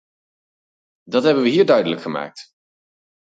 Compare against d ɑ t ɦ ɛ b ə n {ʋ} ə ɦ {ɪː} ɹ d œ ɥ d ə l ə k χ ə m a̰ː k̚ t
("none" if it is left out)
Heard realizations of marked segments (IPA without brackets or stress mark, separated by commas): ʋ, iː